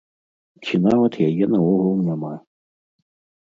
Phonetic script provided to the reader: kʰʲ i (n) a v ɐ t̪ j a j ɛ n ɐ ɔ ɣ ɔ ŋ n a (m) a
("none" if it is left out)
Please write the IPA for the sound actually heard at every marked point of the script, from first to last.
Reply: n, m

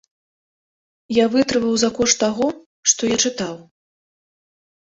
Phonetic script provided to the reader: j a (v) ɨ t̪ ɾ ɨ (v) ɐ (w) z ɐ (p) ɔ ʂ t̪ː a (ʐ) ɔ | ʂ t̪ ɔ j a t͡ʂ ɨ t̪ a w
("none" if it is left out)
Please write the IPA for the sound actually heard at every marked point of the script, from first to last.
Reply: v, v, w, k, ɣ

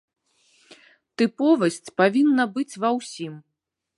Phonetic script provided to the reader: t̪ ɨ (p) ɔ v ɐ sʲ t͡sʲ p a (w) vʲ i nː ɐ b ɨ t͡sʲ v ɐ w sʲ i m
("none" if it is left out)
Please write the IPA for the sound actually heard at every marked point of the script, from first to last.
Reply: p, none

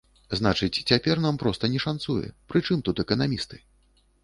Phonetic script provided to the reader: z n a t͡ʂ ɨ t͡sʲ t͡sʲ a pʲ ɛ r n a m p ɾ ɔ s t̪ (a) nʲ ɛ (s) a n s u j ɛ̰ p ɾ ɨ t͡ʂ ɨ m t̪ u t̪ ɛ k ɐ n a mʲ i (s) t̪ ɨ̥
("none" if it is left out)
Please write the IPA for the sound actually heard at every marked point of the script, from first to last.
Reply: ɐ, ʂ, s

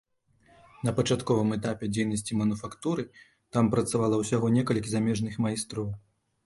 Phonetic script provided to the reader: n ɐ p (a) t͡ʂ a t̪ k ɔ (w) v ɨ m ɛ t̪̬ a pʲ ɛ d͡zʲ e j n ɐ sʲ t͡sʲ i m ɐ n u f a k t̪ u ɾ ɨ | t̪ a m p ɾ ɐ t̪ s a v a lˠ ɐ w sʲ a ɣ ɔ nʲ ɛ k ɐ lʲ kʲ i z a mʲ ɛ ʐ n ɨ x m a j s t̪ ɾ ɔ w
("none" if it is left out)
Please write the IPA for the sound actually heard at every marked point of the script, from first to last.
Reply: ɐ, none

